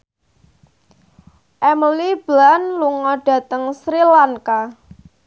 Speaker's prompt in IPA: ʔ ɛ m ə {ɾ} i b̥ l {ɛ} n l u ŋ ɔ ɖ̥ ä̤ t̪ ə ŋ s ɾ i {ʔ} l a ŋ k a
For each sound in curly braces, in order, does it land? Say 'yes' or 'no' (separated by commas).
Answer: no, no, no